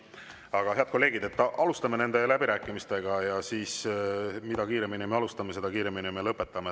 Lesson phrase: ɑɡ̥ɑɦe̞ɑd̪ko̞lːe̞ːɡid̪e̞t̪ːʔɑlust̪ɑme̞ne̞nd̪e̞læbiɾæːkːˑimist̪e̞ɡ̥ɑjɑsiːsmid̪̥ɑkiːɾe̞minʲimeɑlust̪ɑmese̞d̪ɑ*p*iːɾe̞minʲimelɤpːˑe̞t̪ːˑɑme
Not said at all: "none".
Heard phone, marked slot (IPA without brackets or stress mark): k